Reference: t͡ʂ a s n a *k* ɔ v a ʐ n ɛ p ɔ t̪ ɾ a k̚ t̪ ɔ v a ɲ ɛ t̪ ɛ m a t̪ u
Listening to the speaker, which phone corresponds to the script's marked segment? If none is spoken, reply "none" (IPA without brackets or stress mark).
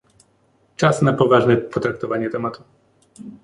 p